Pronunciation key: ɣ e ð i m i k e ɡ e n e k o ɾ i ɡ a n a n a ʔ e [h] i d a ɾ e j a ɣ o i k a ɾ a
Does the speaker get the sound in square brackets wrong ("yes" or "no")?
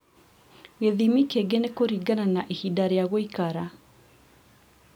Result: no